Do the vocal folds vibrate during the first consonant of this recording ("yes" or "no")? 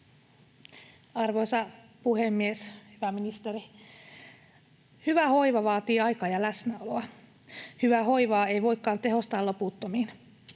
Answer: yes